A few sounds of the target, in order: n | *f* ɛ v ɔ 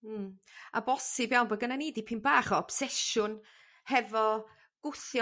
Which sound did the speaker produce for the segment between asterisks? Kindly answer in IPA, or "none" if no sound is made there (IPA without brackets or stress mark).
h